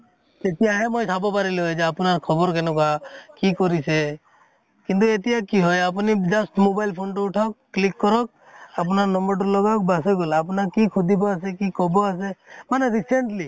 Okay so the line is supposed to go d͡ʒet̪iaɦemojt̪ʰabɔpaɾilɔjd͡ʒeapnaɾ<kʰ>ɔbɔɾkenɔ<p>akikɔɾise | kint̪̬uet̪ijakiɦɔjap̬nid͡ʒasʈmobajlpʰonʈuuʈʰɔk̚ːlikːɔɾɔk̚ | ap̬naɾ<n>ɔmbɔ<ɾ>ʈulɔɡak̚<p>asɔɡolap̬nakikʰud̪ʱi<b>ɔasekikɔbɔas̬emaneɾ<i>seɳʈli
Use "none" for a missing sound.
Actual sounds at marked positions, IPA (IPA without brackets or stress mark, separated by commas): kʰ, k, n, ɾ, b, b, i